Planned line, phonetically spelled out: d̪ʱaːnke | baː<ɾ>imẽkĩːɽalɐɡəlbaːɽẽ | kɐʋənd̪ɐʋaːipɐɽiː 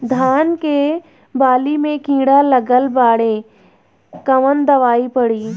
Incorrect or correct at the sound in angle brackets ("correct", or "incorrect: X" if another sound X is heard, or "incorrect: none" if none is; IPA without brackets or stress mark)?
incorrect: l